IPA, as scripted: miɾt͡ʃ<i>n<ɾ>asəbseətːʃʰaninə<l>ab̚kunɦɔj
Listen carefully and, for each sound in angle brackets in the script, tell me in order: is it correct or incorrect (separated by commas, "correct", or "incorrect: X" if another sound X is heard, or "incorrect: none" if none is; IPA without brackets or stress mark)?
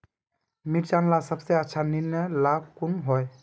incorrect: a, incorrect: l, correct